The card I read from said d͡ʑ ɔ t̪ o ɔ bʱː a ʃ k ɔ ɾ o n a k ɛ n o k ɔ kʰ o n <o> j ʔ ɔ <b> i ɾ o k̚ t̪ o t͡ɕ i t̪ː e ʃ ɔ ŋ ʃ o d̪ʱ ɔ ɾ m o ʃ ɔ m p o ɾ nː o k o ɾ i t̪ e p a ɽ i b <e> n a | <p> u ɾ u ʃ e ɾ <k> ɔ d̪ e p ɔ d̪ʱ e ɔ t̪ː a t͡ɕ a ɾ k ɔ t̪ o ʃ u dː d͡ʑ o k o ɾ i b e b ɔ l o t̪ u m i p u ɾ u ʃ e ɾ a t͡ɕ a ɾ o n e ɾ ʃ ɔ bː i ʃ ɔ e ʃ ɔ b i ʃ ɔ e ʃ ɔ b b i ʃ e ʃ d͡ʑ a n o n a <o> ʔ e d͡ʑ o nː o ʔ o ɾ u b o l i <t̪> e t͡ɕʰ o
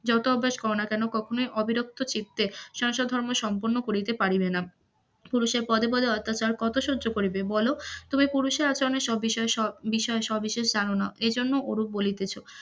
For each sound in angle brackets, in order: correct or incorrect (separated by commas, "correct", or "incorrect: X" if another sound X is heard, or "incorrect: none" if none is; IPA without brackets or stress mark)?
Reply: correct, correct, correct, correct, incorrect: p, correct, correct